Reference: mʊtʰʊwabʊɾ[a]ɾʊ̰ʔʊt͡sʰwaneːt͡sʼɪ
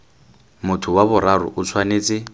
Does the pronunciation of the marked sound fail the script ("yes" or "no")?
no